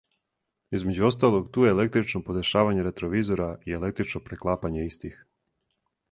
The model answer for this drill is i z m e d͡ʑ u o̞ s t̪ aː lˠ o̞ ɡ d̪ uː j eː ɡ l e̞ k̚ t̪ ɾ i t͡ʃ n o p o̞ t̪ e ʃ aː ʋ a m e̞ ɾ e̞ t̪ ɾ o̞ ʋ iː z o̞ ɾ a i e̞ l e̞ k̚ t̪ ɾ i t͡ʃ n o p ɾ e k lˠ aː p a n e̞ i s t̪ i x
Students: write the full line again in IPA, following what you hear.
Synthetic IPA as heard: i z m e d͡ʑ u o̞ s t̪ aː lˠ o̞ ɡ t̪ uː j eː l e̞ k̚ t̪ ɾ i t͡ʃ n o p o̞ d̪ e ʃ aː ʋ a ɲ e̞ ɾ e̞ t̪ ɾ o̞ ʋ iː z o̞ ɾ a i e̞ l e̞ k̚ t̪ ɾ i t͡ʃ n o p ɾ e k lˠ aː p a ɲ e̞ i s t̪ i x